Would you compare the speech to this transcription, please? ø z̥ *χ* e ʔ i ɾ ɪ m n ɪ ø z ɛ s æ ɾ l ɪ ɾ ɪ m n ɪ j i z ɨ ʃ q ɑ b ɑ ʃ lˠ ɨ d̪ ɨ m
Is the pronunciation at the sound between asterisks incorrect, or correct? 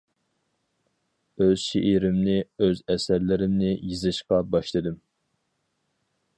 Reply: incorrect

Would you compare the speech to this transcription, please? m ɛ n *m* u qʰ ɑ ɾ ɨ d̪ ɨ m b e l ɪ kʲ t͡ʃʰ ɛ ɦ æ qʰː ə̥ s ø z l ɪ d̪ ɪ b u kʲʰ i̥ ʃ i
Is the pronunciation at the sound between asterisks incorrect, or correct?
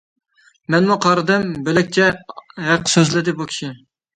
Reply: correct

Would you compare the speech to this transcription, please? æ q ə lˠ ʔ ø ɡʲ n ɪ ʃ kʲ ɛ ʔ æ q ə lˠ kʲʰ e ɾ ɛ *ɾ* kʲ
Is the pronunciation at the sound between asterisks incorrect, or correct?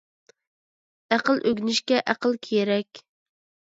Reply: incorrect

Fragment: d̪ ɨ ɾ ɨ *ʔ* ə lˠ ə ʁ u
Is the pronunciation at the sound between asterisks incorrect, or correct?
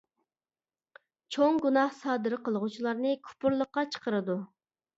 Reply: incorrect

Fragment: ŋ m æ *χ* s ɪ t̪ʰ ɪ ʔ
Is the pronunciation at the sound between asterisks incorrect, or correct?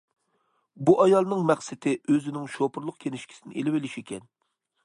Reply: correct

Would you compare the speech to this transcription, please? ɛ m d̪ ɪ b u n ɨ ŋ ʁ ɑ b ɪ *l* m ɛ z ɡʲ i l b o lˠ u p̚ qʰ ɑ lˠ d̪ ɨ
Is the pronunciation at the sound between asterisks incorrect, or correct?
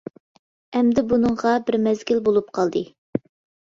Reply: incorrect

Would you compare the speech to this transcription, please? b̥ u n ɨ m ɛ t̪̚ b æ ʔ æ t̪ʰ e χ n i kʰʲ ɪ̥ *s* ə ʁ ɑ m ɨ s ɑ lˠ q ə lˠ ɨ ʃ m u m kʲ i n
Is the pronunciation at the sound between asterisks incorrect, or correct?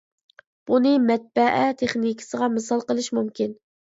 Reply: correct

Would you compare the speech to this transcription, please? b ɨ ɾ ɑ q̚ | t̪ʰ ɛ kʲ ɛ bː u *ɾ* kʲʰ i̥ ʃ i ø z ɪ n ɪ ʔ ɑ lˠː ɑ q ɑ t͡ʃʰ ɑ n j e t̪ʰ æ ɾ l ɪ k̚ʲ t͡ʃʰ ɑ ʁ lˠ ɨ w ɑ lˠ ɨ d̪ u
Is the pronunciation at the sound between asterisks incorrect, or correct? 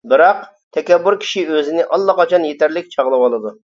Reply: correct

